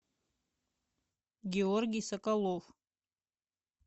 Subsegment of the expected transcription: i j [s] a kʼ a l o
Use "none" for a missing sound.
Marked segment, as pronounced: s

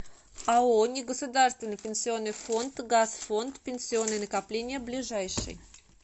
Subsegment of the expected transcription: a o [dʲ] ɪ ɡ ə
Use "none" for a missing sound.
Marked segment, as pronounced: nʲ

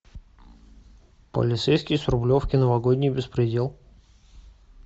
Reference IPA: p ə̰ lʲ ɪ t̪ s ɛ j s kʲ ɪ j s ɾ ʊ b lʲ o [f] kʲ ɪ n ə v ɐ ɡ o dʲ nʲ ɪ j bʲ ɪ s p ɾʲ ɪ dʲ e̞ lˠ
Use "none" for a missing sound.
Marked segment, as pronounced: f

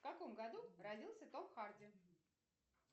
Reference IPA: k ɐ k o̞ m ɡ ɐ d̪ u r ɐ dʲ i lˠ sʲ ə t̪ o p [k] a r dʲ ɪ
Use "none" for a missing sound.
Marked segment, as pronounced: x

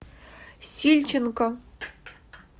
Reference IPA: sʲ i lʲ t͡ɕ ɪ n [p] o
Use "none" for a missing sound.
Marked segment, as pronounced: k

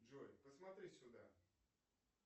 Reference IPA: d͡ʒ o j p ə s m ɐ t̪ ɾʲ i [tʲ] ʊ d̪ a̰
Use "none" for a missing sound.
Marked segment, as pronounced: sʲ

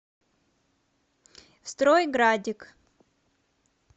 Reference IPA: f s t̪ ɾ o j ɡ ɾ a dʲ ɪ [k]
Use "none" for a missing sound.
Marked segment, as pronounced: k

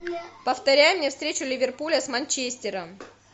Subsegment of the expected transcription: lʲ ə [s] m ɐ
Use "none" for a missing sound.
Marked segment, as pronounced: s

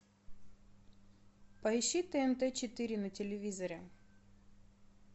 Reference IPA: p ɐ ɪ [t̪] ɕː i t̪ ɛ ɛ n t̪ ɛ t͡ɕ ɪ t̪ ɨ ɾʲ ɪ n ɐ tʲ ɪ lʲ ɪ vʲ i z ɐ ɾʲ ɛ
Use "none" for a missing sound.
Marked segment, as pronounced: none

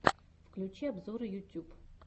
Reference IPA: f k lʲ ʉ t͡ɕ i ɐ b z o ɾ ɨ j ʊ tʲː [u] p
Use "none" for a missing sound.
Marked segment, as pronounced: u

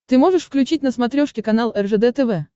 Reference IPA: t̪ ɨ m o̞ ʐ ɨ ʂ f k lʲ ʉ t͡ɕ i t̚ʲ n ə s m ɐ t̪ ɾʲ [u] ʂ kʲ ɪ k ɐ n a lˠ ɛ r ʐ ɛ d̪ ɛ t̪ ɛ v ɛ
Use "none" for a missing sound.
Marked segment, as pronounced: o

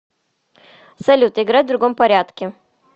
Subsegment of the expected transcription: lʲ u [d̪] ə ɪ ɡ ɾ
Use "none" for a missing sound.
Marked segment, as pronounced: t̪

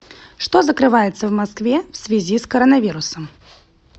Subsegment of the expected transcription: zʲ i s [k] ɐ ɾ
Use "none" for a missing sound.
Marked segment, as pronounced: k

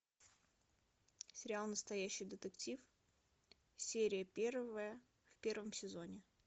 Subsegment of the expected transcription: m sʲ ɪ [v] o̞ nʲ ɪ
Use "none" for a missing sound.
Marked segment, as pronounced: z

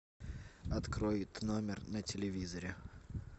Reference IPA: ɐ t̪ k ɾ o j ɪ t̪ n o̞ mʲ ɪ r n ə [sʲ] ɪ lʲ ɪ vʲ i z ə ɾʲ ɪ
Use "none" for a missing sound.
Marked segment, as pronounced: tʲ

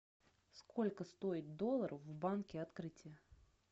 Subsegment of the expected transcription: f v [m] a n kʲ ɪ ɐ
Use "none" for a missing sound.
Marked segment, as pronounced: b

